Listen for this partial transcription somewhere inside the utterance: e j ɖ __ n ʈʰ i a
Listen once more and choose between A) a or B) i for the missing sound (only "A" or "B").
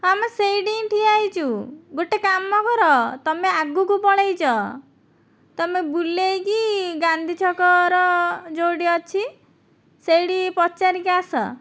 B